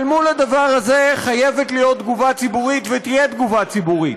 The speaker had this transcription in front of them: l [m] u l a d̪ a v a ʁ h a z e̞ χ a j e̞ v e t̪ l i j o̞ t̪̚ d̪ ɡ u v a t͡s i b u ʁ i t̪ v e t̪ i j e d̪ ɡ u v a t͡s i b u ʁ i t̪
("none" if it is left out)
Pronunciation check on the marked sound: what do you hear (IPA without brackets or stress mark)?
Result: m